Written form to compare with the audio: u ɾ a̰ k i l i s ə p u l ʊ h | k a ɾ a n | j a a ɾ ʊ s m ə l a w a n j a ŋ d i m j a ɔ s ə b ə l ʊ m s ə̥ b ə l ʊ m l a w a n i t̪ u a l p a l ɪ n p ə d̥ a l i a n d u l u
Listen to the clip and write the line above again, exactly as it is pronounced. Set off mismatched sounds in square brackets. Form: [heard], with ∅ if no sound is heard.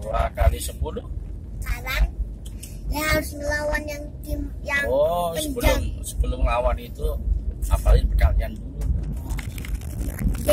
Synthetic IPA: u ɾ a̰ k [a] l i s ə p u l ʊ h | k a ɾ a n | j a a ɾ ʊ s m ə l a w a n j a ŋ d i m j a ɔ s ə b ə l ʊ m s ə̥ b ə l ʊ m l a w a n i t̪ u a [∅] p a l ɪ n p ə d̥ a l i a n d u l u